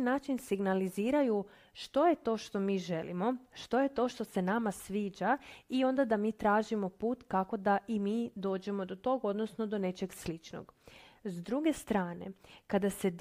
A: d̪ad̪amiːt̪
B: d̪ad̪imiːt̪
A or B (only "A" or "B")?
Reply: A